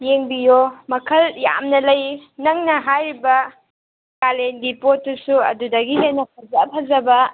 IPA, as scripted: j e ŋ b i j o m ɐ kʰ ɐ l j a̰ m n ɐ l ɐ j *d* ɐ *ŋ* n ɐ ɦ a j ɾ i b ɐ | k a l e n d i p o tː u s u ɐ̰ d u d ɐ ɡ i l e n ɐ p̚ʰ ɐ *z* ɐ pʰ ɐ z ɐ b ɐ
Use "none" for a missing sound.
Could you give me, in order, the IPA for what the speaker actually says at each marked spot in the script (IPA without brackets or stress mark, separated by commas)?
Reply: n, ŋ, z